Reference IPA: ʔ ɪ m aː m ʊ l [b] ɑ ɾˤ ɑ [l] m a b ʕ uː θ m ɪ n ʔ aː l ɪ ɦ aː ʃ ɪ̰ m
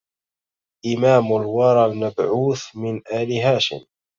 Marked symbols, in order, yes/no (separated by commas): no, yes